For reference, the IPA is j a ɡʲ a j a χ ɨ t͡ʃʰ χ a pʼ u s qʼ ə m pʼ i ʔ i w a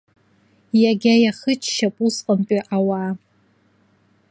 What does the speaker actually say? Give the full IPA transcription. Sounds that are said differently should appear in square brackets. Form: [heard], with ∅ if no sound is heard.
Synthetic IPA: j a ɡʲ a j a χ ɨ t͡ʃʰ [ʃ] a pʼ u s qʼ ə m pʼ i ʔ [a] w a